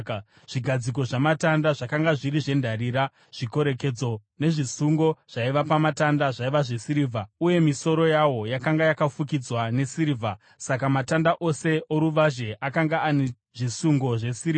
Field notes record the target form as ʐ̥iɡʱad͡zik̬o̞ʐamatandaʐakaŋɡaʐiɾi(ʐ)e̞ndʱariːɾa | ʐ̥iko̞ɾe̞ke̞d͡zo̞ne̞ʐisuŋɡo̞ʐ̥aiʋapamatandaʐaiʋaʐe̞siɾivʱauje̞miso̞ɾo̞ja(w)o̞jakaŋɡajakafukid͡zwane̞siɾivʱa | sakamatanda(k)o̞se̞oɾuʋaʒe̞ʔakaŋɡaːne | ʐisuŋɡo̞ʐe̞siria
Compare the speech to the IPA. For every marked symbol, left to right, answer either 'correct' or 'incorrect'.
correct, correct, incorrect: ʔ

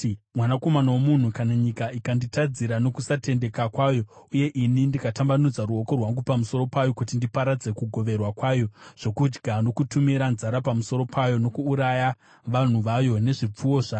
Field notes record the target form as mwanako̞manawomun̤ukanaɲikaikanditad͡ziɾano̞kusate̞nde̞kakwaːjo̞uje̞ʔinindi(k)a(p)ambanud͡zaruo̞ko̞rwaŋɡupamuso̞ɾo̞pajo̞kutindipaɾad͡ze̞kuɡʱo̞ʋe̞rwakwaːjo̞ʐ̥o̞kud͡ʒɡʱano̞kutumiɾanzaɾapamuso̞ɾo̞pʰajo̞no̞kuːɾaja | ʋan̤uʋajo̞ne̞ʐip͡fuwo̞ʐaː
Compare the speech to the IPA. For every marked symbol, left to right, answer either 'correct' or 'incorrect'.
correct, incorrect: t

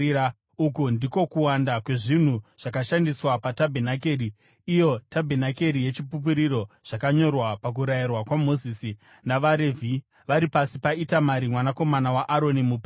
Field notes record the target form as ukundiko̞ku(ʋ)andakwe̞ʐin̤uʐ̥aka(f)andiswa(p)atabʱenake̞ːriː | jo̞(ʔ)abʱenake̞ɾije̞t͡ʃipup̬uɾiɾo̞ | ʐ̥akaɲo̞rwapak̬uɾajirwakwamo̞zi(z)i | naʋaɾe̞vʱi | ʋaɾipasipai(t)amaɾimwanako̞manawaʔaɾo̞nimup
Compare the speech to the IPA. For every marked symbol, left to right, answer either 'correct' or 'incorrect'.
incorrect: w, incorrect: ʃ, correct, incorrect: t, incorrect: s, correct

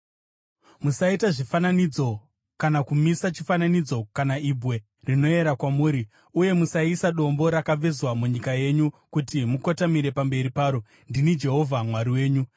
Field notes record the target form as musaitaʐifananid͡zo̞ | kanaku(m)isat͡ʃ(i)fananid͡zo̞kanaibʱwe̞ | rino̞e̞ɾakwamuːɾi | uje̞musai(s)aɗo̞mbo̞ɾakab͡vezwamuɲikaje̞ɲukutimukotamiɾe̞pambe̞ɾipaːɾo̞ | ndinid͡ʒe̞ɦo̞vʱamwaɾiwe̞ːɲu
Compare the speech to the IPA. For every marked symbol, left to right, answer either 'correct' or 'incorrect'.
correct, correct, correct

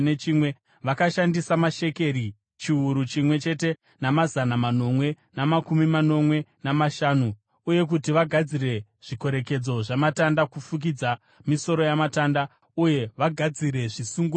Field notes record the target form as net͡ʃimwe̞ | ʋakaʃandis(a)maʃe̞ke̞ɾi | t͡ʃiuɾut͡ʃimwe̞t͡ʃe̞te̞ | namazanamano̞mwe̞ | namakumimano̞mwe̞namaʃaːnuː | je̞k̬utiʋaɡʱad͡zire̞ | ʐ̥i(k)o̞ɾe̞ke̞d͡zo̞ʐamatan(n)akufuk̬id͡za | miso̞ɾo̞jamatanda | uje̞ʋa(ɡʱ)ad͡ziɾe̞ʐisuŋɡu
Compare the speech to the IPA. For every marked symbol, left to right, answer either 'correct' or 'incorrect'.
correct, correct, incorrect: d, correct

